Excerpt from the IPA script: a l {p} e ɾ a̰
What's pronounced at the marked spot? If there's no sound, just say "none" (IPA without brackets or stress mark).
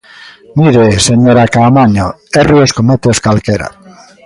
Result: k